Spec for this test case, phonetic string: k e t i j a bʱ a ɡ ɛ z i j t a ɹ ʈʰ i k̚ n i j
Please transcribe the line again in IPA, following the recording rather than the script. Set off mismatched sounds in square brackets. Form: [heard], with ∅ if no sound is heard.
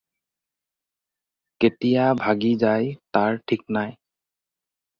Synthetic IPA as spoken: k e t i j a bʱ a ɡ [i] z [a] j t a ɹ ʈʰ i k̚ n [a] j